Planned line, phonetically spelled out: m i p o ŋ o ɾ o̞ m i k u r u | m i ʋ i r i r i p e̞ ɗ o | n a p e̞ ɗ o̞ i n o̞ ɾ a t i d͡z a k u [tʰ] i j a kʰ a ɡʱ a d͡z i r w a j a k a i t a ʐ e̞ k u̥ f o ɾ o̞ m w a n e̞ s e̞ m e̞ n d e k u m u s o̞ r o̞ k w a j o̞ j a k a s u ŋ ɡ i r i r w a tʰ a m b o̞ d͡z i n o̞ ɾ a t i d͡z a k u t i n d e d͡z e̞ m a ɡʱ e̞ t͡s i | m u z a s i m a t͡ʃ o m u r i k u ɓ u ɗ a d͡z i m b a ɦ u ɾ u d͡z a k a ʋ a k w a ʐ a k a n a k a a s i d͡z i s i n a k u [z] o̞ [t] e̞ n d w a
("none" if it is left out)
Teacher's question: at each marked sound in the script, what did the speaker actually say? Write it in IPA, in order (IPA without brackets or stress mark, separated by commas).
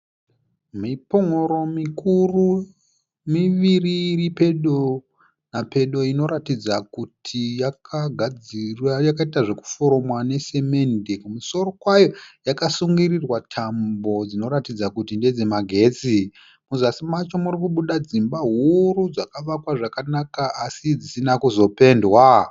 tʰ, z, p